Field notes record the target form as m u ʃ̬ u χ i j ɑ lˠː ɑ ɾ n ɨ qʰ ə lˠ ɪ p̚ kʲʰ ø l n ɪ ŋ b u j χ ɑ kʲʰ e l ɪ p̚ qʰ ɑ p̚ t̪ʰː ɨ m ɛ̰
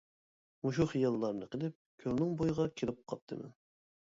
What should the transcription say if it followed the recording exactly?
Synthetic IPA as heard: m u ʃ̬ u χ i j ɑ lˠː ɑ ɾ n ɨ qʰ ə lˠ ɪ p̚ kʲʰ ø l n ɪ ŋ b o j ʁ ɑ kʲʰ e l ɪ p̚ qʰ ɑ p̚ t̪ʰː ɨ m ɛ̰